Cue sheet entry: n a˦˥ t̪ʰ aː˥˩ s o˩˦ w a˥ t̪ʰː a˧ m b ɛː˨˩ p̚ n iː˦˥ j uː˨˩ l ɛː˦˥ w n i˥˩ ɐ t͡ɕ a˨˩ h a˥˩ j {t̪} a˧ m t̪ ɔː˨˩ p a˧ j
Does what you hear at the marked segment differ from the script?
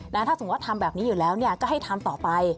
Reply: yes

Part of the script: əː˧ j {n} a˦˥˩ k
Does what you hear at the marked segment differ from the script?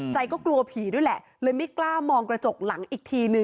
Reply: yes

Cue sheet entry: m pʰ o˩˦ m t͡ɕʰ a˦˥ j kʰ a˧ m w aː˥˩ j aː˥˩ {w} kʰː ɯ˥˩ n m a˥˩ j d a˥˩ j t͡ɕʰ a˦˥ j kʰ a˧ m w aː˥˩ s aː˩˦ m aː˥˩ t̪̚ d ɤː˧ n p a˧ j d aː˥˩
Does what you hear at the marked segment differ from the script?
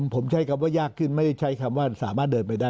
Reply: yes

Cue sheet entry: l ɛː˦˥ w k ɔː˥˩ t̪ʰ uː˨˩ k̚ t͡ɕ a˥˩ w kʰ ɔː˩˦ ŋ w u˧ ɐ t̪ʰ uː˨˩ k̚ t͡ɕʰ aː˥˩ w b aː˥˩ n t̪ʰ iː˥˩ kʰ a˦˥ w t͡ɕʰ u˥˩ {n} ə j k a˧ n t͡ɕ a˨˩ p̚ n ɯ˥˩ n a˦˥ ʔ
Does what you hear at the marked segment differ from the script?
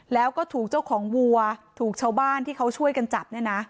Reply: yes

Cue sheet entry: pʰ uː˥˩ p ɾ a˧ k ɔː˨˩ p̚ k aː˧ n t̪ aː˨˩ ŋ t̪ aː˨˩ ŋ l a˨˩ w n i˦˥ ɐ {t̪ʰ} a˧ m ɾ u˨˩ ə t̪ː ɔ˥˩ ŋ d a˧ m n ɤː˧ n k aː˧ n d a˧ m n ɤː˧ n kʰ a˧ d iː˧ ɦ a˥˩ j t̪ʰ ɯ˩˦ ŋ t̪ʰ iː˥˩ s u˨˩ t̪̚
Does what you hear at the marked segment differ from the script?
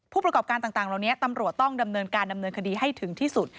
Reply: yes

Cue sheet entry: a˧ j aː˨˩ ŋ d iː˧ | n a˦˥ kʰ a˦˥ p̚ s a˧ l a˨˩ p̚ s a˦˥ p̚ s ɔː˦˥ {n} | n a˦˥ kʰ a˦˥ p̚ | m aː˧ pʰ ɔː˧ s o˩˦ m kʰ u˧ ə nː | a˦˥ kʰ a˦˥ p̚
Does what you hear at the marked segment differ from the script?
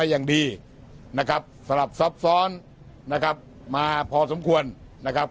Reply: no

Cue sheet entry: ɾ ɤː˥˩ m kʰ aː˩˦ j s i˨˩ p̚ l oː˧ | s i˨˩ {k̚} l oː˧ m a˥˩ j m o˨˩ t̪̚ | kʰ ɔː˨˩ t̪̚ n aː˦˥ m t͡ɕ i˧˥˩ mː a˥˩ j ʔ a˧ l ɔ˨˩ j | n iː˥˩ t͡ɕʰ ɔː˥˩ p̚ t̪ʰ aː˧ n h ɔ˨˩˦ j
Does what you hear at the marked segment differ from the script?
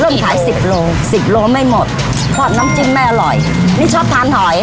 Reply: yes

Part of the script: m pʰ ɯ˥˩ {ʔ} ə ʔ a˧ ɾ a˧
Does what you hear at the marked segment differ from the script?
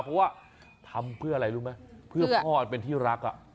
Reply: yes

